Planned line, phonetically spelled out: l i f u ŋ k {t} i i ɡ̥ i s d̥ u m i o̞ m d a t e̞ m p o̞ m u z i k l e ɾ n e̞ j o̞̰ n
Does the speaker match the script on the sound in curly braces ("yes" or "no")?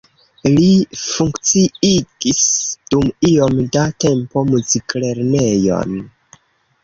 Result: no